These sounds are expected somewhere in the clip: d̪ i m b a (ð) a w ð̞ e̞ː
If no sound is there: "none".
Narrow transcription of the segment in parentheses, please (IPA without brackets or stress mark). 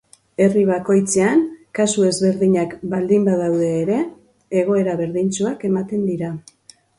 ð